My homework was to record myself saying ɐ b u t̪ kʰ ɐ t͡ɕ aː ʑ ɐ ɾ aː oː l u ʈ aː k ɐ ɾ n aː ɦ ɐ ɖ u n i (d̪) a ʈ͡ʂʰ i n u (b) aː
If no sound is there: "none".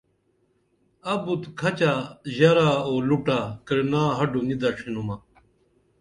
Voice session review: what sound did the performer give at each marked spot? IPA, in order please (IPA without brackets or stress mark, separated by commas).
d̪, m